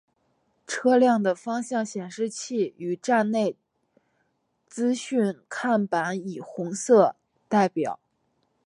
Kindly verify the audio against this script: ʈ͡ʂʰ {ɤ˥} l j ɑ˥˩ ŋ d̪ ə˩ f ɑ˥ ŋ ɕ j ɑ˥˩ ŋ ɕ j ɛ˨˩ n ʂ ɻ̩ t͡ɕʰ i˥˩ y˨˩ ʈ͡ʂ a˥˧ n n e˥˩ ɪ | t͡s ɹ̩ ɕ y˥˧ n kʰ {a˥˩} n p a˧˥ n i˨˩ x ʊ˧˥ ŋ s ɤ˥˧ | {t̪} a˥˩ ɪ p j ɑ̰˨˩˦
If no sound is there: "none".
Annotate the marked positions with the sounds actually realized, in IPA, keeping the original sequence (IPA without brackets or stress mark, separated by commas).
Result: ɤ˥, a˥˩, t̪